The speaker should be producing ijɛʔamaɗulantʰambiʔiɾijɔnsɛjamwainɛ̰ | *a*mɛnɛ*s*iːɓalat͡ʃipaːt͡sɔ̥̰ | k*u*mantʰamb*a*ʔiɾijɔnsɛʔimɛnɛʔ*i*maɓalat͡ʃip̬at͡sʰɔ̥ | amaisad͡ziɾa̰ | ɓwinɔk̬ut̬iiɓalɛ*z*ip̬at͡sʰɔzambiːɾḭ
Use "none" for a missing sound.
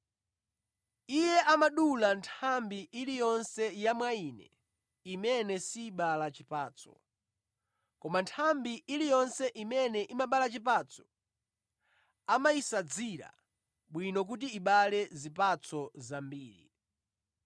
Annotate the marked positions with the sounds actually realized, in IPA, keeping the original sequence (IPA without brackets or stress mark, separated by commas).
i, s, ɔ, i, i, z